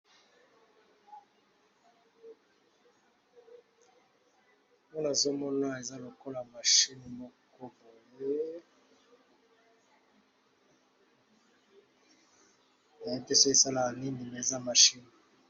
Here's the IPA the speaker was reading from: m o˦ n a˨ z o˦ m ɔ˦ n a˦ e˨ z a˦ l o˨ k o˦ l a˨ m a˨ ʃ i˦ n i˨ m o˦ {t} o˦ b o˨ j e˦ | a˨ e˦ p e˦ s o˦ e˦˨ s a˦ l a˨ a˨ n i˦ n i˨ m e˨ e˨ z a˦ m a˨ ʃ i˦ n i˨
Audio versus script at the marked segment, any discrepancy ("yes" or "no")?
yes